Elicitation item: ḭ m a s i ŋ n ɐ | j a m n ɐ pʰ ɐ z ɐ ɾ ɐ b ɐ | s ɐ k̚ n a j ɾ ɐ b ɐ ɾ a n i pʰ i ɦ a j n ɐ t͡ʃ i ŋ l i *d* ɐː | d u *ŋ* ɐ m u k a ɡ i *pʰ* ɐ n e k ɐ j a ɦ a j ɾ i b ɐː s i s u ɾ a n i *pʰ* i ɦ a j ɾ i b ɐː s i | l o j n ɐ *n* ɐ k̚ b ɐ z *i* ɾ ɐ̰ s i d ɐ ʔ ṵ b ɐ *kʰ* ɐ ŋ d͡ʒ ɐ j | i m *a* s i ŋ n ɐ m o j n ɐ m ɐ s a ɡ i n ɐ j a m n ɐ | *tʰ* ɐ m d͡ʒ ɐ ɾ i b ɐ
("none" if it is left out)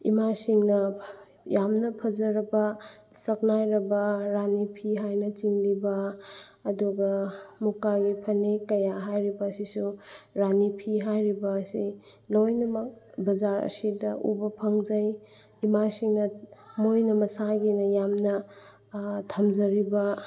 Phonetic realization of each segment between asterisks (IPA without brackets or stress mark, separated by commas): b, ɡ, pʰ, pʰ, m, a, pʰ, a, tʰ